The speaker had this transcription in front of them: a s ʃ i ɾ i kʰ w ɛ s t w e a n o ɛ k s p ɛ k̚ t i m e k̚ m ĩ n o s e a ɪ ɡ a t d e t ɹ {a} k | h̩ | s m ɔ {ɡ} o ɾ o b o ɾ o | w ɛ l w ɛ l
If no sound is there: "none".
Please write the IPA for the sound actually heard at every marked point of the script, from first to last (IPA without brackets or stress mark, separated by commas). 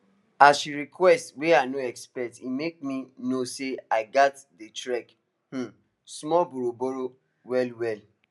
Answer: ɛ, b